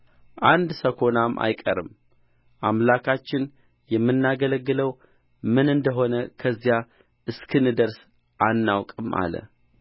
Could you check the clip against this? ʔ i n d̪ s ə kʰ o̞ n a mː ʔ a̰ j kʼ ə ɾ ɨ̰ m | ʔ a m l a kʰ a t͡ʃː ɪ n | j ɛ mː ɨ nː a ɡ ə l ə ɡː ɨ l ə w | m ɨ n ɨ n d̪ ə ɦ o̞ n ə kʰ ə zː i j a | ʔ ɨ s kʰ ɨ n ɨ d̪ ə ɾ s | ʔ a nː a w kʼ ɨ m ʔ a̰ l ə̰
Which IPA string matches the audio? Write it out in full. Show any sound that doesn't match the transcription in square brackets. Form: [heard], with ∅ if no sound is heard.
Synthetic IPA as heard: ʔ [a] n d̪ s ə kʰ o̞ n a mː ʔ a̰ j kʼ ə ɾ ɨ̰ m | ʔ a m l a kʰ a t͡ʃː ɪ n | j ɛ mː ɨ nː a ɡ ə l ə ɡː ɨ l ə w | m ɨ n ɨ n d̪ ə ɦ o̞ n ə kʰ ə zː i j a | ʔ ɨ s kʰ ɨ n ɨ d̪ ə ɾ s | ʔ a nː a w kʼ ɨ m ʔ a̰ l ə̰